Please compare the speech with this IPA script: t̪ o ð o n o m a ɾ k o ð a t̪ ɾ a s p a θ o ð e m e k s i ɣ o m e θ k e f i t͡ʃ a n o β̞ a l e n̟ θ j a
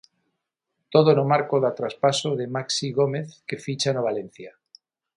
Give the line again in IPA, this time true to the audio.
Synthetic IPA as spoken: t̪ o ð o n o m a ɾ k o ð a t̪ ɾ a s p a s o ð e m a k s i ɣ o m e θ k e f i t͡ʃ a n o β̞ a l e n̟ θ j a